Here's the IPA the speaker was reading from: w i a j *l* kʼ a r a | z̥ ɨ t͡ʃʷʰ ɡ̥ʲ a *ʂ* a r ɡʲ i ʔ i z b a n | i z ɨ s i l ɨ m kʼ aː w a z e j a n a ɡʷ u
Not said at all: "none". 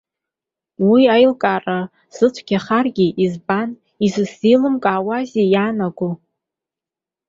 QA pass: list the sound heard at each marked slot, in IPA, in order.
l, χ

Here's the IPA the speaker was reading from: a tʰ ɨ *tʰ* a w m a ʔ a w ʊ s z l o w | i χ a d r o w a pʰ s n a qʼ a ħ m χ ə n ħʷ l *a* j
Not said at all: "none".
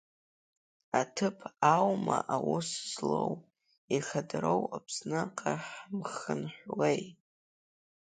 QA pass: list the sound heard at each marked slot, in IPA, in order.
pʰ, e

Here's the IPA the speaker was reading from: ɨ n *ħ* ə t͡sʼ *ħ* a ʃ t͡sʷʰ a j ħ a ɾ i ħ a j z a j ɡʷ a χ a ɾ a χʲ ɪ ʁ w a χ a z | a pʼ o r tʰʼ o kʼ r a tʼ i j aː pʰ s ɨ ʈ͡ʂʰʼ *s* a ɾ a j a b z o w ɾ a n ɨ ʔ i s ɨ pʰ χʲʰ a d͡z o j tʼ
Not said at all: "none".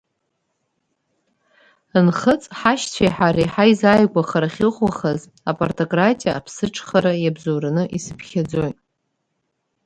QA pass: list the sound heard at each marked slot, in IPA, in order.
χ, ħ, χ

